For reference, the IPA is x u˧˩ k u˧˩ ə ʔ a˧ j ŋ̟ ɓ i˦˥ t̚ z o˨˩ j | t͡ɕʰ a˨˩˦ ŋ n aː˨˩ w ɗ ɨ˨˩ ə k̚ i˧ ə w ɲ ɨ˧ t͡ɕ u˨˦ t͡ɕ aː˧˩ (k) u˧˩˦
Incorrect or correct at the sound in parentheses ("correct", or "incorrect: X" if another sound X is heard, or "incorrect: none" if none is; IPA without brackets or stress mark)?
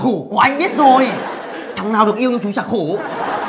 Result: incorrect: x